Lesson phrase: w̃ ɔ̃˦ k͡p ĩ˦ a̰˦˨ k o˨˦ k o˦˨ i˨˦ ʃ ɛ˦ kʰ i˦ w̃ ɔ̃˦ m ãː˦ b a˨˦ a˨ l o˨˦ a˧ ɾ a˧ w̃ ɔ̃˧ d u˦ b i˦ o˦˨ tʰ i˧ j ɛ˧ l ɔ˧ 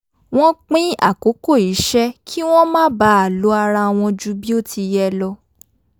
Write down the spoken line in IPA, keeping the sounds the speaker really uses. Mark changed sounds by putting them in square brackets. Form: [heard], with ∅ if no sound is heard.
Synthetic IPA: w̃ ɔ̃˦ k͡p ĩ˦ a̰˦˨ k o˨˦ k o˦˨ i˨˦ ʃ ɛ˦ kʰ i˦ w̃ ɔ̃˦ m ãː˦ b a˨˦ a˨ l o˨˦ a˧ ɾ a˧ w̃ ɔ̃˧ [d͡ʒ] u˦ b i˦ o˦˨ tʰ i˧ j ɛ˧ l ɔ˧